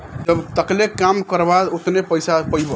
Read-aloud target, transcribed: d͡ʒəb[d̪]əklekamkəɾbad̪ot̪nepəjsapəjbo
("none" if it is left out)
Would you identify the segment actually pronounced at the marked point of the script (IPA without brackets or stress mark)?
t̪